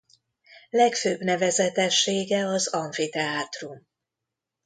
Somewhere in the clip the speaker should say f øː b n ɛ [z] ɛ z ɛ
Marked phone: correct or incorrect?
incorrect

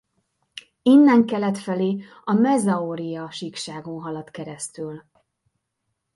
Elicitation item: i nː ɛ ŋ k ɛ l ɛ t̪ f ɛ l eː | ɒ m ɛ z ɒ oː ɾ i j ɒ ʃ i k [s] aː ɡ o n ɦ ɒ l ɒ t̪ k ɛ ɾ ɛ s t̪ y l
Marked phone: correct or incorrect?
incorrect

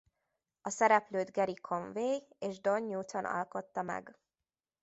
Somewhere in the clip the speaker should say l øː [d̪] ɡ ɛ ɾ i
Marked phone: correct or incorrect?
correct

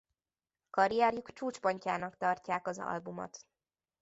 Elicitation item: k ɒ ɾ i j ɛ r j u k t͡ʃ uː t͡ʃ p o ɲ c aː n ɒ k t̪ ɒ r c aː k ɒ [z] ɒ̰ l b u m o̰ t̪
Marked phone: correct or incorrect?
correct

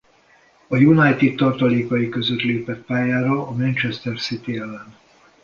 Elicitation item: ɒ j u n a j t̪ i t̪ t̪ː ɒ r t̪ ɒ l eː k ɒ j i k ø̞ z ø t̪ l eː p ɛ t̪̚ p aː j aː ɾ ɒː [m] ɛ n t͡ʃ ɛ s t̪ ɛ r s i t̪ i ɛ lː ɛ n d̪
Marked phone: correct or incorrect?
correct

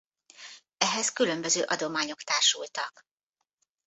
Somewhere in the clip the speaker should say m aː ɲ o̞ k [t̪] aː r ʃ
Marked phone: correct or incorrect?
correct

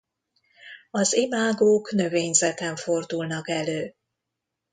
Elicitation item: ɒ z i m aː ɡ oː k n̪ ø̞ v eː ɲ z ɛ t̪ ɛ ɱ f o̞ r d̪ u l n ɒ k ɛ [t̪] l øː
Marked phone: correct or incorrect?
incorrect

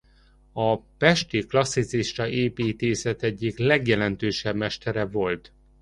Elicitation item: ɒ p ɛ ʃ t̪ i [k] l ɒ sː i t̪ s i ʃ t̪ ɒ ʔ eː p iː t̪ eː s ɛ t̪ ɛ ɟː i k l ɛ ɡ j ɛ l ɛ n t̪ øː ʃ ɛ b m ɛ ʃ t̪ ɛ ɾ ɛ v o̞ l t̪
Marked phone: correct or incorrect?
correct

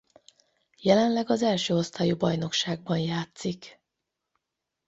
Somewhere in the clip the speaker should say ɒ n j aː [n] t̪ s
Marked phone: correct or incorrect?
incorrect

